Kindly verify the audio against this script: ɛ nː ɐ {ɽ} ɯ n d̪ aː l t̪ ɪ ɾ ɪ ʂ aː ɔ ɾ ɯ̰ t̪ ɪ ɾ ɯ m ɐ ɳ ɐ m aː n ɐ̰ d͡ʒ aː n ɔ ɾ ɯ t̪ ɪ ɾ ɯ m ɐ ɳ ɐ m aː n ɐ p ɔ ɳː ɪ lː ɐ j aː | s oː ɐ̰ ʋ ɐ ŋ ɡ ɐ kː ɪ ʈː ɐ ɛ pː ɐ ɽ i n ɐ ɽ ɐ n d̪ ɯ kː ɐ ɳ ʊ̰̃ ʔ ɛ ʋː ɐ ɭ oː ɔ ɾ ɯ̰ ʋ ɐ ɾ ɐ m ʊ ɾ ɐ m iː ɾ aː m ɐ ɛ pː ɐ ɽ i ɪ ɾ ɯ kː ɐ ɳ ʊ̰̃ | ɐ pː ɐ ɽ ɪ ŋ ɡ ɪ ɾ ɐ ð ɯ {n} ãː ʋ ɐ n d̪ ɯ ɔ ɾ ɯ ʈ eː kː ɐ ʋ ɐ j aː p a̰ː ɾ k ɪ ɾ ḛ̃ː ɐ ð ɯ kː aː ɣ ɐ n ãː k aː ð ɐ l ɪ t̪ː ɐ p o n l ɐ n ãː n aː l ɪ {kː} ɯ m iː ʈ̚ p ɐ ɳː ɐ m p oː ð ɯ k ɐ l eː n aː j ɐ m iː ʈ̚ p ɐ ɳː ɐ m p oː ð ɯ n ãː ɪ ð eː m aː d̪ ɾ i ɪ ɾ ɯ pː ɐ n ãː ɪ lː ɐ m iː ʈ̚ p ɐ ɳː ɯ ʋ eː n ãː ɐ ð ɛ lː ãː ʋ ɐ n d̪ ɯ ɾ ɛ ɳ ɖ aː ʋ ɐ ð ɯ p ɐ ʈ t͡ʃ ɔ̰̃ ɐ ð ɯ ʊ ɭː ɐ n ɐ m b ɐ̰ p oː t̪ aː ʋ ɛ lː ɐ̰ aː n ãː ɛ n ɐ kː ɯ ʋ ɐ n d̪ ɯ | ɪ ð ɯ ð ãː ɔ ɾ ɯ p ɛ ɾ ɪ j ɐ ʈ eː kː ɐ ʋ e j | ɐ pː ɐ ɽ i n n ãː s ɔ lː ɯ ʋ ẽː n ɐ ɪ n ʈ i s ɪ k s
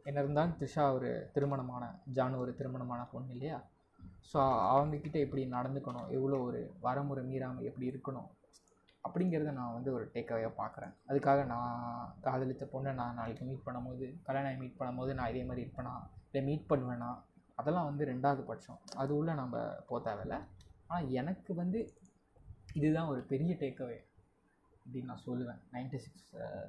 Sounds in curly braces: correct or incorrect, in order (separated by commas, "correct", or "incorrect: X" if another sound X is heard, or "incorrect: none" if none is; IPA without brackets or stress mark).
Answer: incorrect: ɾ, correct, correct